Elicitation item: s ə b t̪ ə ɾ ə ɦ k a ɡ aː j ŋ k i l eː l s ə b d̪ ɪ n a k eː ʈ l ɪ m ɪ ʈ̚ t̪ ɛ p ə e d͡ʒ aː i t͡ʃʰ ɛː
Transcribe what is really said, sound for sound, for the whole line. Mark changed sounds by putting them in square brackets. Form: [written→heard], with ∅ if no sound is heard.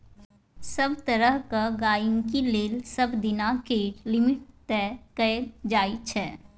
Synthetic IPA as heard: s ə b t̪ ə ɾ ə ɦ k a ɡ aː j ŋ k i l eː l s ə b d̪ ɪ n a k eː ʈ l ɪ m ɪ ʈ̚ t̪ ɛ [p→k] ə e d͡ʒ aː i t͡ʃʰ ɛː